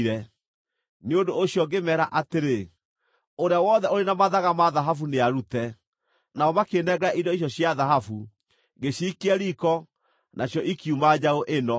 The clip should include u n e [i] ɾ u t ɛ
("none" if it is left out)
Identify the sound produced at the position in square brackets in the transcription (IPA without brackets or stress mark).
a